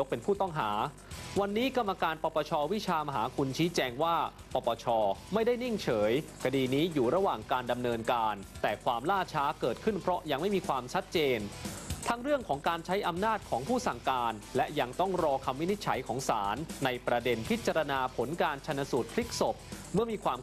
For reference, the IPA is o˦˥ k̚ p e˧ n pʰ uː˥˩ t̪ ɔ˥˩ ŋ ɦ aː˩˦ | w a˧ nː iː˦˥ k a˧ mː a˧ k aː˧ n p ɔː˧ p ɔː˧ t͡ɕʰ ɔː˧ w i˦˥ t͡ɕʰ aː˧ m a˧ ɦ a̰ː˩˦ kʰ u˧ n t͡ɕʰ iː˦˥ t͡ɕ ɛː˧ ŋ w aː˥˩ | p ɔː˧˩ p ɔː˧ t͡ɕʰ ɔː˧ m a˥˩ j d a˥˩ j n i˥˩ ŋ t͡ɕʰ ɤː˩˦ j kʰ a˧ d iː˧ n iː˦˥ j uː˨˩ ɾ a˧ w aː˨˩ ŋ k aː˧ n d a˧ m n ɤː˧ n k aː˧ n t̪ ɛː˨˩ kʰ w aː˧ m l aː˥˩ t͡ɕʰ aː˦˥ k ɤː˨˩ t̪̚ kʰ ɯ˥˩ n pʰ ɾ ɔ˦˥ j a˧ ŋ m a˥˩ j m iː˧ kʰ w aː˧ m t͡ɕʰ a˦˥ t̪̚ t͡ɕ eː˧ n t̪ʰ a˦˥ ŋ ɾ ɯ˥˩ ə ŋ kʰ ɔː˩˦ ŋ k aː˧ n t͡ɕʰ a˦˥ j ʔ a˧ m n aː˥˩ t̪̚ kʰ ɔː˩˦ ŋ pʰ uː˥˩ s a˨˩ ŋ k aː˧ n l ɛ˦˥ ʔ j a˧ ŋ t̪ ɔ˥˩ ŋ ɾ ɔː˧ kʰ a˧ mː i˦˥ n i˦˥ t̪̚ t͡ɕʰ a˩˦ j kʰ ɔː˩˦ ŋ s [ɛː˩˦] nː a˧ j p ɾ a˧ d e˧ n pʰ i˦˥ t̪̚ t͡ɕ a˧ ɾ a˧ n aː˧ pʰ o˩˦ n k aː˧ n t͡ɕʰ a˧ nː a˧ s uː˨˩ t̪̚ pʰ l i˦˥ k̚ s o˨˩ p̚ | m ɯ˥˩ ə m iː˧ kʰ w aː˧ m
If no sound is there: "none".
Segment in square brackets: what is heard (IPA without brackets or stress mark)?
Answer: aː˩˦